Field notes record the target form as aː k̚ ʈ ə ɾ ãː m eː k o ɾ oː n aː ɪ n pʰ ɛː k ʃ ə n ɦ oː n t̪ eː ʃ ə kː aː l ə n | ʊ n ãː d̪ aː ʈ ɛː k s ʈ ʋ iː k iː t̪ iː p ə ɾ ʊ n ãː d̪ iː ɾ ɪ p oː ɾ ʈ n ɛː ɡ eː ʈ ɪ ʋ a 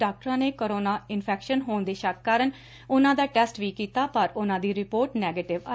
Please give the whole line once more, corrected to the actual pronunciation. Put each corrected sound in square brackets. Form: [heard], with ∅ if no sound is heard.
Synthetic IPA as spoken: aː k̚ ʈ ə ɾ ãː [n] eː k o ɾ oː n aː ɪ n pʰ ɛː k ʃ ə n ɦ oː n [d̪] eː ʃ ə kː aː [ɾ] ə n | ʊ n ãː d̪ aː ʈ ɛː [∅] s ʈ ʋ iː k iː t̪ [aː] p ə ɾ ʊ n ãː d̪ iː ɾ ɪ p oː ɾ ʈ n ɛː ɡ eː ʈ ɪ ʋ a